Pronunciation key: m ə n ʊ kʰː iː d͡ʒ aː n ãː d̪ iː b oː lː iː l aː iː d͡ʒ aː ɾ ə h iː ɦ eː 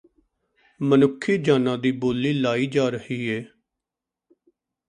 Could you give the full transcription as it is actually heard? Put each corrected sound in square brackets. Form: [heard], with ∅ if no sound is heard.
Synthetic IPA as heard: m ə n ʊ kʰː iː d͡ʒ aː n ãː d̪ iː b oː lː iː l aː iː d͡ʒ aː ɾ ə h iː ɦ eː